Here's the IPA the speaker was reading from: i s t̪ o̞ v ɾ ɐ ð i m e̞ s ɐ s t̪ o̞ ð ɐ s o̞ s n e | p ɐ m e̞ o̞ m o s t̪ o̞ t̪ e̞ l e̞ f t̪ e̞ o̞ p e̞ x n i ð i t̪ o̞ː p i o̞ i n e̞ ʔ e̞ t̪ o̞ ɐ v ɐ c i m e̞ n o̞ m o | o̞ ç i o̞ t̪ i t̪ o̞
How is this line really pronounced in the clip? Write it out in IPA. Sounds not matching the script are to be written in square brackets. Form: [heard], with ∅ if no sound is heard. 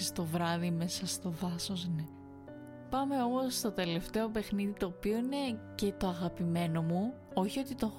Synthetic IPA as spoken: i s t̪ o̞ v ɾ ɐ ð i m e̞ s ɐ s t̪ o̞ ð ɐ s o̞ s n e | p ɐ m e̞ o̞ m o s t̪ o̞ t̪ e̞ l e̞ f t̪ e̞ o̞ p e̞ x n i ð i t̪ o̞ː p i o̞ i n e̞ [c] e̞ t̪ o̞ ɐ [ɣ] ɐ [p] i m e̞ n o̞ m [u] | o̞ ç i o̞ t̪ i t̪ o̞